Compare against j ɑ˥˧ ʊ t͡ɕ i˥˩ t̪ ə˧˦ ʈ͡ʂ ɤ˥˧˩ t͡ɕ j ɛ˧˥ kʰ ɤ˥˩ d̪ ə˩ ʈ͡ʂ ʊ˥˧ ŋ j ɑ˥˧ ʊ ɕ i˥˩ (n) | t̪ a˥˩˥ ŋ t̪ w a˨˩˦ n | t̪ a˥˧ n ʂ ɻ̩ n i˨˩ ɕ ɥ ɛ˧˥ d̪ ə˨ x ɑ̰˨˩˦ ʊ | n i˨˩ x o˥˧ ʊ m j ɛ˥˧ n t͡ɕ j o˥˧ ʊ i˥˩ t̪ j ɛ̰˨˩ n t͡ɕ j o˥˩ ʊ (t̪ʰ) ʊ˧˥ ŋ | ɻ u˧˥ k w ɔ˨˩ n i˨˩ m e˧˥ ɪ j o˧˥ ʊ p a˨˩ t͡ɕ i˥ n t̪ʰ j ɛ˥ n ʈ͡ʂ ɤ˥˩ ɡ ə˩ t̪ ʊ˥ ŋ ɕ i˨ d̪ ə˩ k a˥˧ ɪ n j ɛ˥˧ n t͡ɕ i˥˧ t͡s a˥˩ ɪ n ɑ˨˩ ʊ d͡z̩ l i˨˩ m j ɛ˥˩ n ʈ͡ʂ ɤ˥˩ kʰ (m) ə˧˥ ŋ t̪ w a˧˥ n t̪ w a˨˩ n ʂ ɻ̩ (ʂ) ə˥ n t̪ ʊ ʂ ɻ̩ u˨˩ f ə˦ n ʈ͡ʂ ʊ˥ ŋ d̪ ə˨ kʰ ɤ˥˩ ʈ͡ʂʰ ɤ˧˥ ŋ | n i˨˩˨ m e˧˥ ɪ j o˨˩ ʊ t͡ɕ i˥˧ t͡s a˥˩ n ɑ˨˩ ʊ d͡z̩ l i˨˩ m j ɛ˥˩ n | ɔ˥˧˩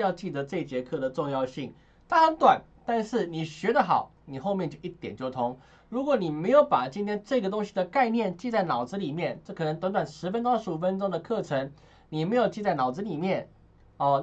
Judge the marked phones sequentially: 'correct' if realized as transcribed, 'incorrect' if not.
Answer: incorrect, correct, incorrect, incorrect

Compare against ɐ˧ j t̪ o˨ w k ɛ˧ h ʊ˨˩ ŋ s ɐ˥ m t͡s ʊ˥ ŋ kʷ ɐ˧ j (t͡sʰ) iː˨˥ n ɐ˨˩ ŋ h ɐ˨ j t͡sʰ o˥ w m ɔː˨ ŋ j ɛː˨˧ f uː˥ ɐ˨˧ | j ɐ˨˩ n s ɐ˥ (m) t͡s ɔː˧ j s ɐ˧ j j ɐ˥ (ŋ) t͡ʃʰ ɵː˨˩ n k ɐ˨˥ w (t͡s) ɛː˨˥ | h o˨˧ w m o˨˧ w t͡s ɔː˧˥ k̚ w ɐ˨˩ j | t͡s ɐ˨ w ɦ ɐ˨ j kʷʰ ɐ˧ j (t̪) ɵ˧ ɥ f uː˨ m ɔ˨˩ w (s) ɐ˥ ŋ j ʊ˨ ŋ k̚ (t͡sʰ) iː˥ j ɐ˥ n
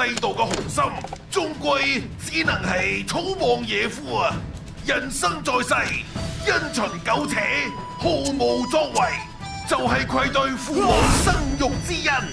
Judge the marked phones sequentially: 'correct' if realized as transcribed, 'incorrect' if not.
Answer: incorrect, incorrect, incorrect, incorrect, correct, correct, incorrect

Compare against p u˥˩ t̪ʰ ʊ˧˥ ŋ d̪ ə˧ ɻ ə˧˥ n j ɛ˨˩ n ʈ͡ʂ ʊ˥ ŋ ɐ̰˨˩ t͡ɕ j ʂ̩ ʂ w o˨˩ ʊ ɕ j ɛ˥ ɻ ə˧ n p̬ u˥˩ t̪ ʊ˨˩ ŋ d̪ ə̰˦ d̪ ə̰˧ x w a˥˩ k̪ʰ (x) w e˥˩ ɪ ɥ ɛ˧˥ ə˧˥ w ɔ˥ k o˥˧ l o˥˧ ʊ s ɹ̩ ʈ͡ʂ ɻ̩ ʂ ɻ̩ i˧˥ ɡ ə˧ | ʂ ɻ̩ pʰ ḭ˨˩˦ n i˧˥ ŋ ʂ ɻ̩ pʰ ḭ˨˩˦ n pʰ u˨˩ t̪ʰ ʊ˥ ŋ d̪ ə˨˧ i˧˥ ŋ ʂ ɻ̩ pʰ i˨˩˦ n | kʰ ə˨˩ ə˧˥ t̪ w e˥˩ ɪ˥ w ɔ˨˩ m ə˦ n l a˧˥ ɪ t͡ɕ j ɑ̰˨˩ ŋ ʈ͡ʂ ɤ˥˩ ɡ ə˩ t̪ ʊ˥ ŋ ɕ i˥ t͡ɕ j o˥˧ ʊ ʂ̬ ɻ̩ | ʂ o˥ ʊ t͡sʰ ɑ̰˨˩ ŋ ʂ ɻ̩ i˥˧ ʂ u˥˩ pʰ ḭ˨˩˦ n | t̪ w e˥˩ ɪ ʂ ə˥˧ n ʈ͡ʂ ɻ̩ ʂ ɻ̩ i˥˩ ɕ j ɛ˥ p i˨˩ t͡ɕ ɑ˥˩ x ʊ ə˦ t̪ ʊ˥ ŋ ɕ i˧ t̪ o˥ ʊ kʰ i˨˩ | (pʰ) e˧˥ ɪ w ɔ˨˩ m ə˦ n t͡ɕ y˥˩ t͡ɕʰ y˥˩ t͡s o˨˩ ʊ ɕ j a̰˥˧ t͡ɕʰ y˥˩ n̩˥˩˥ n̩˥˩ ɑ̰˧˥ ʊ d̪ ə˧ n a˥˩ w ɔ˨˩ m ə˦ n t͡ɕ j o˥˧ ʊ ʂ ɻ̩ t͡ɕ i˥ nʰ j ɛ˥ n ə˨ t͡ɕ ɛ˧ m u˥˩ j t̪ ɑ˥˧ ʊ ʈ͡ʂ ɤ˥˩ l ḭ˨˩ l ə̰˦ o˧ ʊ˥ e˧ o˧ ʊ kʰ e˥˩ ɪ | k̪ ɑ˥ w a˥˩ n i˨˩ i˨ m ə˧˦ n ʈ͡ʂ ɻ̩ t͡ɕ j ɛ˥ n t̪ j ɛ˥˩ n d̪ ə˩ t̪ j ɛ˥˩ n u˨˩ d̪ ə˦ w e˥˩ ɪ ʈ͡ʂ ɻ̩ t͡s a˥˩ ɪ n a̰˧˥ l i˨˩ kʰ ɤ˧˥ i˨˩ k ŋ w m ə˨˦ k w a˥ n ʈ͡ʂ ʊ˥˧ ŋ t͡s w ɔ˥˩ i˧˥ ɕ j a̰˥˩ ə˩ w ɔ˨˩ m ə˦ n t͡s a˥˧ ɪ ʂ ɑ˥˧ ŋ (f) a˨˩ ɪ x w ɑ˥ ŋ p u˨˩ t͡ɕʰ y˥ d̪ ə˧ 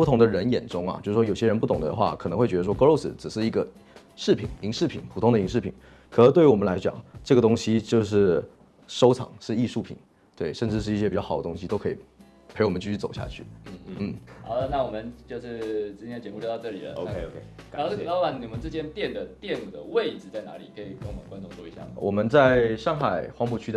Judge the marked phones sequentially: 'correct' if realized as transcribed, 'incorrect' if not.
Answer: correct, correct, incorrect

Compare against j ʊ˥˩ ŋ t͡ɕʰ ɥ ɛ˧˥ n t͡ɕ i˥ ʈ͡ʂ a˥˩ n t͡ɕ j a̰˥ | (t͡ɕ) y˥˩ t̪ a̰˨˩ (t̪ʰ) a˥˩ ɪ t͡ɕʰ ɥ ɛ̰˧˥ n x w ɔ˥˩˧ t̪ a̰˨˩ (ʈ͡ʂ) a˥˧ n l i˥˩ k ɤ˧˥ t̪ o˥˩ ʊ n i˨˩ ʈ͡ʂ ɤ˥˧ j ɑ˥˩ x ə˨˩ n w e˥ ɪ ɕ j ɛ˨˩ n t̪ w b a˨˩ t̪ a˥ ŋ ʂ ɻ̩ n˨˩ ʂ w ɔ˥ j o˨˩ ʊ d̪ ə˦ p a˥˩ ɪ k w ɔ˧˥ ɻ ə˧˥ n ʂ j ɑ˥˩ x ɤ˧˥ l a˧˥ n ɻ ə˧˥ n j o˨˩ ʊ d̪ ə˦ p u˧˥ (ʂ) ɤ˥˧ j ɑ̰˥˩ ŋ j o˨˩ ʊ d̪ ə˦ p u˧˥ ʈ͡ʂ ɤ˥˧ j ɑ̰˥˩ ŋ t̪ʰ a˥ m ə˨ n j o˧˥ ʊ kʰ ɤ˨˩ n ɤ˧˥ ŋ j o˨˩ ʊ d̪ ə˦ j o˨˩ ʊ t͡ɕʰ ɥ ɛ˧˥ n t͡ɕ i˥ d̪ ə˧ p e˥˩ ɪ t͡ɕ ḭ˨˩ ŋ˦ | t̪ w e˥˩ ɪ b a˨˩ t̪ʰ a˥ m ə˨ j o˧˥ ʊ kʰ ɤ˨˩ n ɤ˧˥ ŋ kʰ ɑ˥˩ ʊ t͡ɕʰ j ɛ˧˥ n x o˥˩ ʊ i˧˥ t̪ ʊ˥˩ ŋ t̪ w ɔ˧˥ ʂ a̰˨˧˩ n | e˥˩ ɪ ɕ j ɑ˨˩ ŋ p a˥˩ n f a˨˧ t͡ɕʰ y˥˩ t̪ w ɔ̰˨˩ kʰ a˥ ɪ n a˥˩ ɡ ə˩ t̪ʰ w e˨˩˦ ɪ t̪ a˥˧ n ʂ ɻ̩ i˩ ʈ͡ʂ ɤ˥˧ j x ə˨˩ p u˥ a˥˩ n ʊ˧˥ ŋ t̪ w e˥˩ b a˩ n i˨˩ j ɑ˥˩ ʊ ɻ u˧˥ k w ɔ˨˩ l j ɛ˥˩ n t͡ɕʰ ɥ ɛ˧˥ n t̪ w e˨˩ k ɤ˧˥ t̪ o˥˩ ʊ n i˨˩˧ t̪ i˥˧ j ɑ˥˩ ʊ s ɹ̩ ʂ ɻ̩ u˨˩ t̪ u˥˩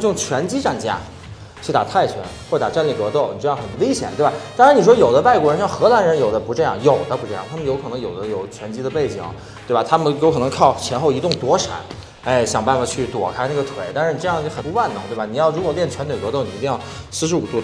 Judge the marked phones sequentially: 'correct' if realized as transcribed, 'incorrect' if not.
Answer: incorrect, correct, correct, incorrect

